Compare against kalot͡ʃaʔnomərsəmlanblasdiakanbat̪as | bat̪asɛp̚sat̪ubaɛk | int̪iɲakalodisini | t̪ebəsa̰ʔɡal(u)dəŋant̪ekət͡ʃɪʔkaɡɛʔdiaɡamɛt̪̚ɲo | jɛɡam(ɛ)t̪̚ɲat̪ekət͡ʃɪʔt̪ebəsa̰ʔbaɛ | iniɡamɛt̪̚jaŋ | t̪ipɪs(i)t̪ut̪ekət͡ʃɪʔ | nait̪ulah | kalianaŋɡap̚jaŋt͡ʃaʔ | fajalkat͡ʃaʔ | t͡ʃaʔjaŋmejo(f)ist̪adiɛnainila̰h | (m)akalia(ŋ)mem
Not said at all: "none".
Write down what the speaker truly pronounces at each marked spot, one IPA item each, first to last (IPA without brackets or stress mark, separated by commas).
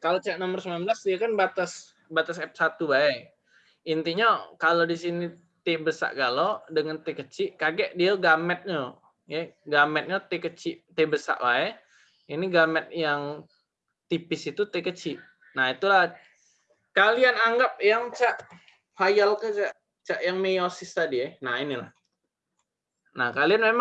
o, ɛ, i, s, n, n